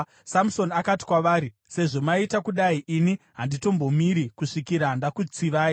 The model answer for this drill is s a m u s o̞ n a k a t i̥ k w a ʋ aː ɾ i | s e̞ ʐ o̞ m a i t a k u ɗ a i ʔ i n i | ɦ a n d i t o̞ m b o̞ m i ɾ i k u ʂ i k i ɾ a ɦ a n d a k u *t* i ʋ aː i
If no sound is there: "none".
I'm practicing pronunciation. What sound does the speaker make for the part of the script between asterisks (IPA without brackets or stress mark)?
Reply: t͡s